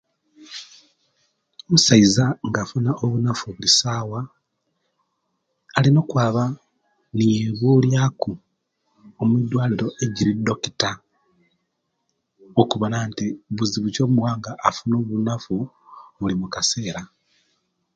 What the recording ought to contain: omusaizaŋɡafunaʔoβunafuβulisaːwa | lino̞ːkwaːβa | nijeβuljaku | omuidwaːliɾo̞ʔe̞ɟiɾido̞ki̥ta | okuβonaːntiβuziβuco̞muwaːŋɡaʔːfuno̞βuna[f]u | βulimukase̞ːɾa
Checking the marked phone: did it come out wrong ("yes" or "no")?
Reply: no